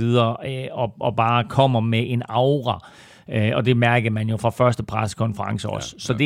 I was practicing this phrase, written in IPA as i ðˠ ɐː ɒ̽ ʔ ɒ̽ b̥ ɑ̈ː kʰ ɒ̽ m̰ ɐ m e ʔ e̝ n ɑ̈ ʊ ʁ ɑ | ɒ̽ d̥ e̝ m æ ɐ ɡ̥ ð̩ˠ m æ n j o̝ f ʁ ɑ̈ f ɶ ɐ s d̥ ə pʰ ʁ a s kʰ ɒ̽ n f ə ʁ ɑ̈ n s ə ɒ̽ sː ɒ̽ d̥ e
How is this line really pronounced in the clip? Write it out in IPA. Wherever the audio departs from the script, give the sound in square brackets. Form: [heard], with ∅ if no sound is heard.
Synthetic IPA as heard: i ðˠ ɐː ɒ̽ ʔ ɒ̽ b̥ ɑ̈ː kʰ ɒ̽ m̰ ɐ m e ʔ e̝ n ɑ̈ ʊ ʁ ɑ | ɒ̽ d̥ e̝ m æ ɐ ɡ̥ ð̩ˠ m æ n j o̝ f ʁ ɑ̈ f ɶ ɐ s d̥ ə pʰ ʁ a s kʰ ɒ̽ n f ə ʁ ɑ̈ [ŋ] s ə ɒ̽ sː ɒ̽ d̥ e